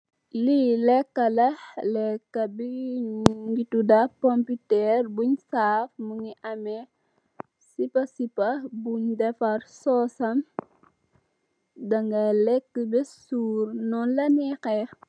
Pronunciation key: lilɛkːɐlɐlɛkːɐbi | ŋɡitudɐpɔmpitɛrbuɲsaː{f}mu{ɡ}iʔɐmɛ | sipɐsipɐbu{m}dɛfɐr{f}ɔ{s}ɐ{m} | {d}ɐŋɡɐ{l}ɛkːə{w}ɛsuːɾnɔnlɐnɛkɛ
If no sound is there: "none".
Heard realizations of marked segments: f, ŋ, ɲ, s, s, m, d, l, b

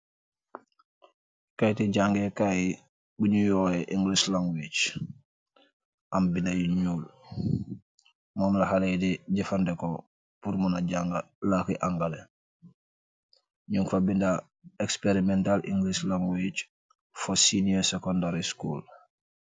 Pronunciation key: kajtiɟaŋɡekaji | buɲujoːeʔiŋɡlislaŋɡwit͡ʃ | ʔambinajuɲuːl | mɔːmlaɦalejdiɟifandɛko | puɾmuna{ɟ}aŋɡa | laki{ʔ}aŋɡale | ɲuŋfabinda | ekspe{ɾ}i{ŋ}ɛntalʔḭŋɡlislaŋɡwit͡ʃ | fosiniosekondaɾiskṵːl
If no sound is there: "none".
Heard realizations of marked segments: ɟ, ʔ, ɾ, m

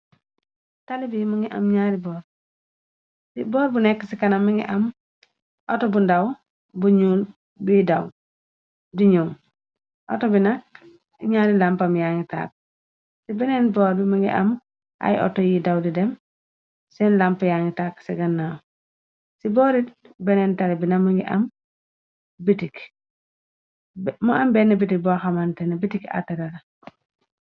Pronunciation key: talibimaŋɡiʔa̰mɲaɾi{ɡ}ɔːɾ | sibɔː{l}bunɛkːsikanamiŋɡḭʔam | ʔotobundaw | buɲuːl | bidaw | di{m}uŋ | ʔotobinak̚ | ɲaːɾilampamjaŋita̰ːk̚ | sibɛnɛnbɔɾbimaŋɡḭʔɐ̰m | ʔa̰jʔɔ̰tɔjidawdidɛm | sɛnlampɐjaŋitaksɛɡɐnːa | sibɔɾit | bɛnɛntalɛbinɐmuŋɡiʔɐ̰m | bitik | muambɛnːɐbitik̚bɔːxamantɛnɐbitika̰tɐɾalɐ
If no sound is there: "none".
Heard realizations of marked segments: b, ɾ, ɲ

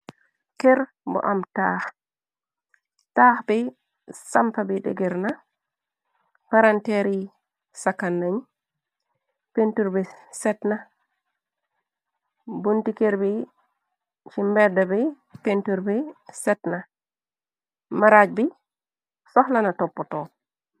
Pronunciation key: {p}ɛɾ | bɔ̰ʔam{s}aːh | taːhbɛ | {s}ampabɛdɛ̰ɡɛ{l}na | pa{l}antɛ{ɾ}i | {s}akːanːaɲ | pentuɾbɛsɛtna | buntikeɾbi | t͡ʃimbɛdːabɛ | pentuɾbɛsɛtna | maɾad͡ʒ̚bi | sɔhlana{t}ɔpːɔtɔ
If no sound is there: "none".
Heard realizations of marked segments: k, t, s, ɾ, ɾ, ɾ, s, t

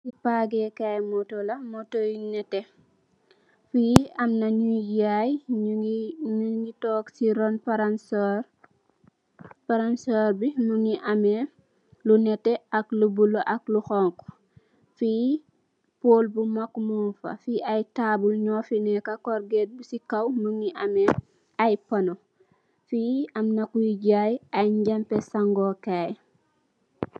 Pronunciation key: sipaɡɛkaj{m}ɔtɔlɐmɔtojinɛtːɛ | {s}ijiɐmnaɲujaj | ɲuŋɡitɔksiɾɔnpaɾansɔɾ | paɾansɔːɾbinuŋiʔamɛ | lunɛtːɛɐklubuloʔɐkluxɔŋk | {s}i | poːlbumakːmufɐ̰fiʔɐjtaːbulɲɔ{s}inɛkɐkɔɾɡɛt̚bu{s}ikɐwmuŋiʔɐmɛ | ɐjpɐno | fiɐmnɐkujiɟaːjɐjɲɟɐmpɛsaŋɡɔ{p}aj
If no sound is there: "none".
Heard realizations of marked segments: m, f, f, f, s, k

